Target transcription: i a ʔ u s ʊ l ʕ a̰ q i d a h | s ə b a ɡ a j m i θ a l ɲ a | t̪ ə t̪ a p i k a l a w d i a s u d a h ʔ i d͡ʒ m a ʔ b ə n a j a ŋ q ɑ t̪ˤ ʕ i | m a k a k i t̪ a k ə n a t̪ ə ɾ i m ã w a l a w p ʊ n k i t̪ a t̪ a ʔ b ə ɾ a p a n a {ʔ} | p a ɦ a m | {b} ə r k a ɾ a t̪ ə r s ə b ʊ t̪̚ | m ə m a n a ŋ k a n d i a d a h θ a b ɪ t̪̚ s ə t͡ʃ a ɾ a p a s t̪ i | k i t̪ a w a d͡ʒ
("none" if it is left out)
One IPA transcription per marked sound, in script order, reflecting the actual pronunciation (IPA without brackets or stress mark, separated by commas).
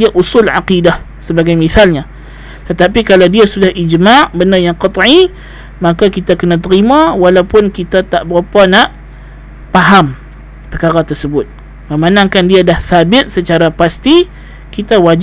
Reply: ʔ, p